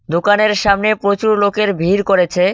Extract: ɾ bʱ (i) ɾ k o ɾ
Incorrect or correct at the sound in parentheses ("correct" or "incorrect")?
correct